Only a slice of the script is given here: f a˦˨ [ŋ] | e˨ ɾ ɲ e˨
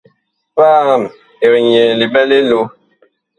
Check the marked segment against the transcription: incorrect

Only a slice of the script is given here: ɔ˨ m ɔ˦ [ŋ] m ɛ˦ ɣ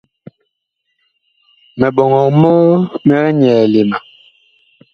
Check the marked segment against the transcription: incorrect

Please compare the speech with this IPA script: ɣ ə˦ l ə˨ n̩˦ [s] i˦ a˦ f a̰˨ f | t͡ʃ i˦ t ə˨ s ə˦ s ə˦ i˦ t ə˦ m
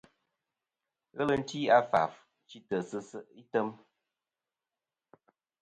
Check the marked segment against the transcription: incorrect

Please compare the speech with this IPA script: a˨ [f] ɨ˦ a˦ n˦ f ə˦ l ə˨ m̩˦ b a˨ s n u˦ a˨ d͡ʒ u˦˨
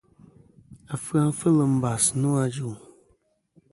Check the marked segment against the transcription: correct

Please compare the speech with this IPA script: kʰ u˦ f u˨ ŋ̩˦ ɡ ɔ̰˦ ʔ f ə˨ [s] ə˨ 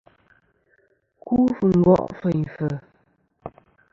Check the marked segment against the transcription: incorrect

